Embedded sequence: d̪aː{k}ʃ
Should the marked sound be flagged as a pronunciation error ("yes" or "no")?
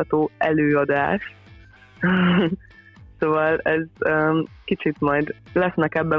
yes